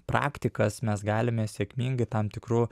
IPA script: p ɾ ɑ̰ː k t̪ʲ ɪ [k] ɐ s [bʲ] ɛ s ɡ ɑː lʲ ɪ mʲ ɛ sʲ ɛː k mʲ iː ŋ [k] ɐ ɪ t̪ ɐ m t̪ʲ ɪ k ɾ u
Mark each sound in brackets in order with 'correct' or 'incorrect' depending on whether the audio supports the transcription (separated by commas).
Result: correct, incorrect, incorrect